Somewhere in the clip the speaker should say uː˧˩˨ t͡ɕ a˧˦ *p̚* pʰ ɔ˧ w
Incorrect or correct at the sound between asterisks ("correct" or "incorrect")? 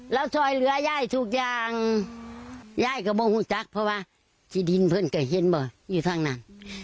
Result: incorrect